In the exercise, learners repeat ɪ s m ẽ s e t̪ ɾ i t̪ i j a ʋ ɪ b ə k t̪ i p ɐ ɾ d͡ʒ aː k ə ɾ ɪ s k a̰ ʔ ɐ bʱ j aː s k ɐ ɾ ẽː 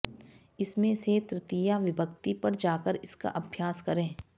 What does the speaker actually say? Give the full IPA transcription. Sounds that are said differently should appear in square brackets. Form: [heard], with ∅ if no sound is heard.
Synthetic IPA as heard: ɪ s m ẽ s e t̪ ɾ [ɪ] t̪ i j a ʋ ɪ b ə k t̪ i p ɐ ɾ d͡ʒ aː k ə ɾ ɪ s k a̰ ʔ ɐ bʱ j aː s k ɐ ɾ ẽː